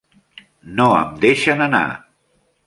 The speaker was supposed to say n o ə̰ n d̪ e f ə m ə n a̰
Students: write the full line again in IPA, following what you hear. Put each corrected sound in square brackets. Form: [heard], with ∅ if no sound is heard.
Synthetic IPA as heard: n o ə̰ [m] d̪ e [ʃ] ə [n] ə n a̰